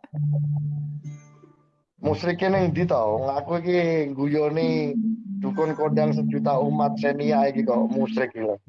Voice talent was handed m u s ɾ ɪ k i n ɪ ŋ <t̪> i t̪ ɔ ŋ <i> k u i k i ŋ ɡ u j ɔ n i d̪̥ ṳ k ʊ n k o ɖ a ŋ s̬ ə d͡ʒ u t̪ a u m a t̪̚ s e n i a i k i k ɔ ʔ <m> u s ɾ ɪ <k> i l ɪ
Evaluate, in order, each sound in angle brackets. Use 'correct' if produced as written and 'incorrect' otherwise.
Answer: incorrect, incorrect, correct, correct

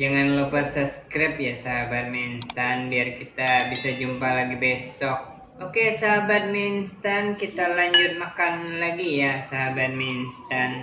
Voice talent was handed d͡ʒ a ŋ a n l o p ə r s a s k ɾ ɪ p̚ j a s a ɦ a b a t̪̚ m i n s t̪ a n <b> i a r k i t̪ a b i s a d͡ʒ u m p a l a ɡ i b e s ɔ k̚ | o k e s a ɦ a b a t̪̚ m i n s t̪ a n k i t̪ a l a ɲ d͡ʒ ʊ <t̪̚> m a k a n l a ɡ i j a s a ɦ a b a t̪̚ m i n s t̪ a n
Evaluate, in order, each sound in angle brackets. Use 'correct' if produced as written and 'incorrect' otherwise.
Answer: correct, correct

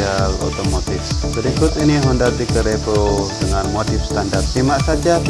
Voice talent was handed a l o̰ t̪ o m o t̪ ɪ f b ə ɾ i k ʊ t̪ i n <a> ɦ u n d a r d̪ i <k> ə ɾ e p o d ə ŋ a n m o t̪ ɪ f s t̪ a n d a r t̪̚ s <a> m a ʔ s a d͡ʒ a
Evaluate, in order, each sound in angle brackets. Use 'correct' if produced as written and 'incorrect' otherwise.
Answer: incorrect, correct, incorrect

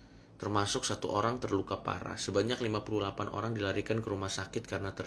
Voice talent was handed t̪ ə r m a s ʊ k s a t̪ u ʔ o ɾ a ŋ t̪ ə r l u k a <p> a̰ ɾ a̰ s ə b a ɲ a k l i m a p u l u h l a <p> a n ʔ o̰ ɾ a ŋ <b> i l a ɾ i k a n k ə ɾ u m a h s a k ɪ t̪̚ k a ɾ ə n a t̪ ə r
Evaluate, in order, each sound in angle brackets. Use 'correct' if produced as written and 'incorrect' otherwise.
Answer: correct, correct, incorrect

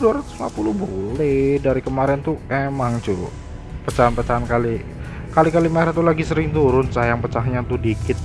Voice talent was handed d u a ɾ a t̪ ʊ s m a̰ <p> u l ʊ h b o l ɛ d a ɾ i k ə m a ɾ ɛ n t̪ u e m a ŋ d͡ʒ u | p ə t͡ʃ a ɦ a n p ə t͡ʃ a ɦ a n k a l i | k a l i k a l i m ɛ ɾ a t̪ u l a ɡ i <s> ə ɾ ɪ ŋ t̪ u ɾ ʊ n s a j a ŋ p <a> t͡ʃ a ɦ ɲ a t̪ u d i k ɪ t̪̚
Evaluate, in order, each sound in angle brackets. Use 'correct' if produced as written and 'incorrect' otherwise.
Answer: correct, correct, incorrect

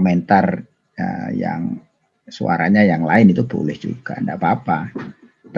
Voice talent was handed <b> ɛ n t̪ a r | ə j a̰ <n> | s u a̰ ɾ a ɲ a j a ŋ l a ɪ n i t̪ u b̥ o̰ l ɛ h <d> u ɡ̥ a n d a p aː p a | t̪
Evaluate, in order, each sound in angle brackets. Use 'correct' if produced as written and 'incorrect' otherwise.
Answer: incorrect, incorrect, incorrect

